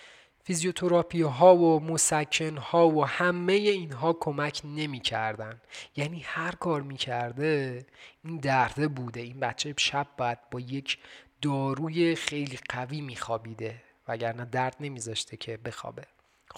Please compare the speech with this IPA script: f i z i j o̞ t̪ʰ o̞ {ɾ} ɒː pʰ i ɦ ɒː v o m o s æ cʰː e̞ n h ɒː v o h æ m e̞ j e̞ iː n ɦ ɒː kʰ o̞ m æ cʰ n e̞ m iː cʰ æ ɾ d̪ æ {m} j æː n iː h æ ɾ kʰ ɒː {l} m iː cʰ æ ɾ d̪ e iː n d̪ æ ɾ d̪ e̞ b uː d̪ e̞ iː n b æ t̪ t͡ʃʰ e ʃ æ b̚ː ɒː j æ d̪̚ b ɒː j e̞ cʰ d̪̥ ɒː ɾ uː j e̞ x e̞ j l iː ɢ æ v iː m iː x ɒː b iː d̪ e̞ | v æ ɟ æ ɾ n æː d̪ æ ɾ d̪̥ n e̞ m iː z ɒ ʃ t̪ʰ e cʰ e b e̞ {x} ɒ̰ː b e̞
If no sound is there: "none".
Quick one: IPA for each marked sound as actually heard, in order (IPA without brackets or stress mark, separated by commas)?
ɾ, n, ɾ, x